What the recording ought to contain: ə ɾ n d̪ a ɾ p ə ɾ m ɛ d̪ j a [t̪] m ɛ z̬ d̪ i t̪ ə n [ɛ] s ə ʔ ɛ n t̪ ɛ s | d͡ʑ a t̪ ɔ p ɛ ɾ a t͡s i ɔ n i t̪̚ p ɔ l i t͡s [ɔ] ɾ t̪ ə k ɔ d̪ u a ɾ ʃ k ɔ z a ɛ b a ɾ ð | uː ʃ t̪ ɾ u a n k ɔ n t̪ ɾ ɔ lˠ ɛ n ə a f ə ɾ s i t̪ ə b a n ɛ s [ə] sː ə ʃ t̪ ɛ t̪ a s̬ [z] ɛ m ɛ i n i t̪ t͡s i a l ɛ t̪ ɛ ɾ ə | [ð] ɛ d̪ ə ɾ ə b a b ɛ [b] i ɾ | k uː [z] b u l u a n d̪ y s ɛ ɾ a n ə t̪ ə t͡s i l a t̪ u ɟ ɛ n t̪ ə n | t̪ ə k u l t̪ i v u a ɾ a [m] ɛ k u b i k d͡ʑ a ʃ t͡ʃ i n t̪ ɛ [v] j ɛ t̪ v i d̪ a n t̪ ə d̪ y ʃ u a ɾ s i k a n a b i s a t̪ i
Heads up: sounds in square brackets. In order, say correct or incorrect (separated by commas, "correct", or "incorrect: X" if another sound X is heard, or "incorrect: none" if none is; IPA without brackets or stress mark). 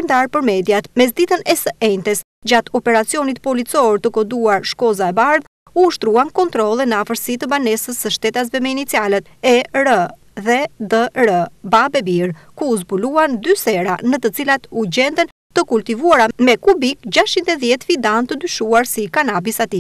correct, correct, correct, correct, incorrect: v, correct, correct, correct, correct, incorrect: ð